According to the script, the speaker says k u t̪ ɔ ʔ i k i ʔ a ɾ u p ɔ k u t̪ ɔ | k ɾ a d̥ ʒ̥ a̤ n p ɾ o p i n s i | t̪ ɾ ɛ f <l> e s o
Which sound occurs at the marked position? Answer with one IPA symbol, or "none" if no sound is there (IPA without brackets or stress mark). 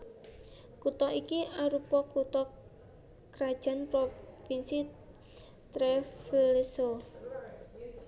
l